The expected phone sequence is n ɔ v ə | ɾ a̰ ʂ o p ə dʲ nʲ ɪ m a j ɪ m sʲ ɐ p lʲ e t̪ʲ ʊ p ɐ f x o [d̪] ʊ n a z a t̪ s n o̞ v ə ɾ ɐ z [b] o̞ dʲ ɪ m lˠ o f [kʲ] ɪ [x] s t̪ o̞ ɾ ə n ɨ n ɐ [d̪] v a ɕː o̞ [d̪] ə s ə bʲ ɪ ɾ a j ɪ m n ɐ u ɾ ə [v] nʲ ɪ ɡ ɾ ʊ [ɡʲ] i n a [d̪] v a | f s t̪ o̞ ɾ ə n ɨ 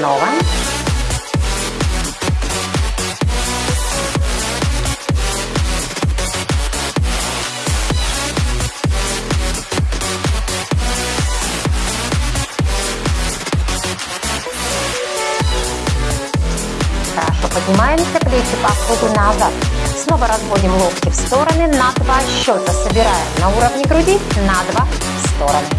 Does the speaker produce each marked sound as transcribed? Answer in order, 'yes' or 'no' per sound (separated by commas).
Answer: yes, no, yes, no, yes, no, yes, no, yes